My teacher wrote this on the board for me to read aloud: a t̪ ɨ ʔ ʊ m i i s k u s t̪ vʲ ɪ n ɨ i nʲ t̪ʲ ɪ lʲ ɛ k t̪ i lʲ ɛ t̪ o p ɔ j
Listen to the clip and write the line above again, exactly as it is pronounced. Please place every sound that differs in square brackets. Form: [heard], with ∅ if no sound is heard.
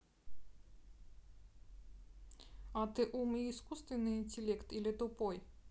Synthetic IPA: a t̪ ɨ ʔ [u] m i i s k u s t̪ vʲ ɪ n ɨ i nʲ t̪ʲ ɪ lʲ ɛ k t̪ i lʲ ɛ t̪ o p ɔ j